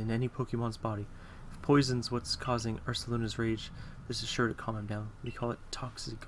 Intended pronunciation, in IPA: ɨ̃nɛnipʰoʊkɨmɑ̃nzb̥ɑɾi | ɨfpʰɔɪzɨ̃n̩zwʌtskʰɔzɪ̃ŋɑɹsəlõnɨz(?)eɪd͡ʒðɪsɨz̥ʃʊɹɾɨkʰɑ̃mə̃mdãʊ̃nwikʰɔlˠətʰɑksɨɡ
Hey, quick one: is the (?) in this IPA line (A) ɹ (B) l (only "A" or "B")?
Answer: A